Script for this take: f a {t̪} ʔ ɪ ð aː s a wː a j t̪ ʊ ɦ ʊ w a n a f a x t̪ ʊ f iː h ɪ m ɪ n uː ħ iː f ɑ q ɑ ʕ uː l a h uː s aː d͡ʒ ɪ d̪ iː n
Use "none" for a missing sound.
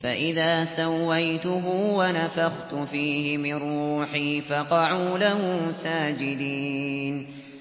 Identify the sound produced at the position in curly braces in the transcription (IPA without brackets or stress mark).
none